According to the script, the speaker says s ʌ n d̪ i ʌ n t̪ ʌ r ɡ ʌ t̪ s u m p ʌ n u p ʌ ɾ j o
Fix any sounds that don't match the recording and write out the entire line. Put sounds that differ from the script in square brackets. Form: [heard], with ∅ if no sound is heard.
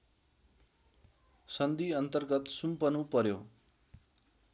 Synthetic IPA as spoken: s ʌ n d̪ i ʌ n t̪ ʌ r ɡ ʌ t̪ s u m p ʌ n u p ʌ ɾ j o